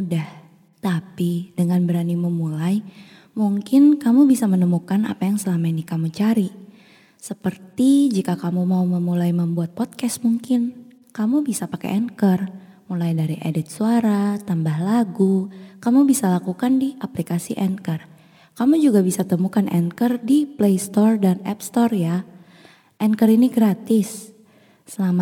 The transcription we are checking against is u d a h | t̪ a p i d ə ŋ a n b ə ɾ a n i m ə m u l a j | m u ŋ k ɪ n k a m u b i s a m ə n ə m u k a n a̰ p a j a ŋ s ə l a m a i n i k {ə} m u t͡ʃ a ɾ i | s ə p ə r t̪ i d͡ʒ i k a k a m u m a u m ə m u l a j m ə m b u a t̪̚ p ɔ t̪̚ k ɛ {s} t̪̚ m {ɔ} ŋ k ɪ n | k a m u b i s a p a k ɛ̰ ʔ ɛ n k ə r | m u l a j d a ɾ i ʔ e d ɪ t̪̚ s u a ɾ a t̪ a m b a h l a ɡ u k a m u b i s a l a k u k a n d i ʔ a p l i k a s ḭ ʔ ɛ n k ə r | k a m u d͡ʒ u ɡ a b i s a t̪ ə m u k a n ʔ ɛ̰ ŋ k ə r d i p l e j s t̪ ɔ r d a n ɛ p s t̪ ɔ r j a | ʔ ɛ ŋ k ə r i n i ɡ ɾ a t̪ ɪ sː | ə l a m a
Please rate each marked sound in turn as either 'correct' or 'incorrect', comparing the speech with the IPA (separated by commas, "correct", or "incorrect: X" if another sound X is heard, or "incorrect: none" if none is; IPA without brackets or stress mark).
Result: incorrect: a, correct, incorrect: u